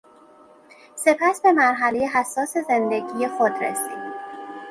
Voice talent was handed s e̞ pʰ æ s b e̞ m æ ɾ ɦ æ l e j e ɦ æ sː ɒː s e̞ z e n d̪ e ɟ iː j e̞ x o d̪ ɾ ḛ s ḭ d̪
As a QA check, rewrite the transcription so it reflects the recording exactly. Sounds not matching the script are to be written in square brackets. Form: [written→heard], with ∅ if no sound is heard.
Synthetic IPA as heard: s e̞ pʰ æ s b e̞ m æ ɾ ɦ æ l e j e ɦ æ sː ɒː s e̞ z e n d̪ e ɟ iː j e̞ x o d̪ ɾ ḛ s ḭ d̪